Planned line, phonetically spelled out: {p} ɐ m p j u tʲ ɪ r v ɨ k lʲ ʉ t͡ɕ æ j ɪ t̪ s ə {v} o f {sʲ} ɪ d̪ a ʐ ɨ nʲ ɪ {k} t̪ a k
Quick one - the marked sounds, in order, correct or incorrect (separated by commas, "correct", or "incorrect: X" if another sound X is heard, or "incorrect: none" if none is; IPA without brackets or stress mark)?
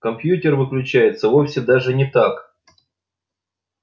incorrect: k, correct, correct, incorrect: none